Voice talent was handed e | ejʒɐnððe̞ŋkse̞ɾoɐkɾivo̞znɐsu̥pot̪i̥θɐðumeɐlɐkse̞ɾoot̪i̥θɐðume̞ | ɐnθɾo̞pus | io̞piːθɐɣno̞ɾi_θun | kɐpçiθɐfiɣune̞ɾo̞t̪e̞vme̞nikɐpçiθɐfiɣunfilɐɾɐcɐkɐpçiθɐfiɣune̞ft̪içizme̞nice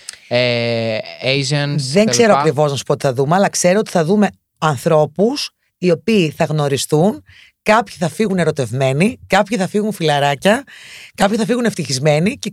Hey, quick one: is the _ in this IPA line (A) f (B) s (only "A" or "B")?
B